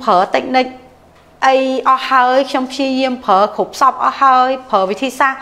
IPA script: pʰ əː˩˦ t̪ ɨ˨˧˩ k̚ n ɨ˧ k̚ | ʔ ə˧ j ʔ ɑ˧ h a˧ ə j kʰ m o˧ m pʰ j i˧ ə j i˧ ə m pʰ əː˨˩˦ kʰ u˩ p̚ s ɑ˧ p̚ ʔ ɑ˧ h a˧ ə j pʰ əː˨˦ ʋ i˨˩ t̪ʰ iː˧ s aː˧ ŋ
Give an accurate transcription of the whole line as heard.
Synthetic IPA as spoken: pʰ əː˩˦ t̪ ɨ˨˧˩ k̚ n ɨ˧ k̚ | ʔ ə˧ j ʔ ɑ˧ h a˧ ə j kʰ ɲ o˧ m pʰ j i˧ ə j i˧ ə m pʰ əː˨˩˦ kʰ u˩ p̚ s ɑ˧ p̚ ʔ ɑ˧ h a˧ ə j pʰ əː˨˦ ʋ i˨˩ t̪ʰ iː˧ s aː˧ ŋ